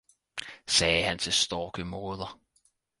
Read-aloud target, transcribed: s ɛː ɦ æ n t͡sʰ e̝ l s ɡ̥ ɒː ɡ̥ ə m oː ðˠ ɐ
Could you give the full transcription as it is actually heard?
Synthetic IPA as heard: s ɛː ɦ æ n t͡sʰ e̝ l s d̥ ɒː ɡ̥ ə m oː ðˠ ɐ